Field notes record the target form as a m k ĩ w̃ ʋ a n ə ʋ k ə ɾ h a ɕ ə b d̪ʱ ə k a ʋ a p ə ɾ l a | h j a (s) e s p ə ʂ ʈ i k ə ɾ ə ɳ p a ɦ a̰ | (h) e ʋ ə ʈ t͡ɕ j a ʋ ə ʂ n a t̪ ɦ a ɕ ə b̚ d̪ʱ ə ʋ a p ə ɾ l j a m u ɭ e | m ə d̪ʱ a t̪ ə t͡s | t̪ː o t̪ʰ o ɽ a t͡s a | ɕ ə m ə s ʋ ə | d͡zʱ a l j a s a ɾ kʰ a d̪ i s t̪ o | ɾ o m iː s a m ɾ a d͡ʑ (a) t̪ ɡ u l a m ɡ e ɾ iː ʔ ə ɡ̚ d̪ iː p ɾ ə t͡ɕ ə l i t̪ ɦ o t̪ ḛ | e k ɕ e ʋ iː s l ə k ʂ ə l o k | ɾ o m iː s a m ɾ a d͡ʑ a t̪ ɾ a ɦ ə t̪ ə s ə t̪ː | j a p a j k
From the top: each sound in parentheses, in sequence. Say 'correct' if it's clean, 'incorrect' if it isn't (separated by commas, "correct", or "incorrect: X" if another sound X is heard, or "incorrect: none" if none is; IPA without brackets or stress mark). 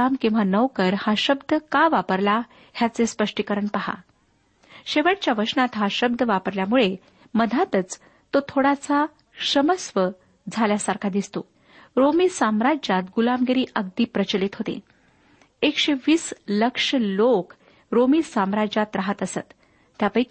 incorrect: t͡s, incorrect: ɕ, correct